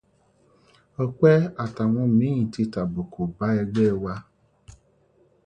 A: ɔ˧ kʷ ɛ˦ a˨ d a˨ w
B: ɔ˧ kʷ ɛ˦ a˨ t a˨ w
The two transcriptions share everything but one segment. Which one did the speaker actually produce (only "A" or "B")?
B